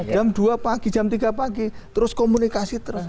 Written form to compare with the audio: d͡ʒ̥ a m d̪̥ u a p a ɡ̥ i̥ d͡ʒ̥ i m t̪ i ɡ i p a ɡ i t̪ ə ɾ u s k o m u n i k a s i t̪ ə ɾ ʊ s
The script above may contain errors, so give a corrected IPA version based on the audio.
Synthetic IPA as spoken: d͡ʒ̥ a m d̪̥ u a p a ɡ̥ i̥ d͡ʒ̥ a m t̪ i ɡ a p a ɡ i t̪ ə ɾ ʊ s k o m u n i k a s i t̪ ə ɾ ʊ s